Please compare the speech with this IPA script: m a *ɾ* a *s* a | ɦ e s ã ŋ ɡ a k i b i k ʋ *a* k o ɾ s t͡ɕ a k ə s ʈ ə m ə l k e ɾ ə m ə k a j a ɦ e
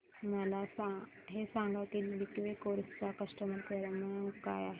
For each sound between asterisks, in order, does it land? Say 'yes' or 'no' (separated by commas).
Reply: no, yes, no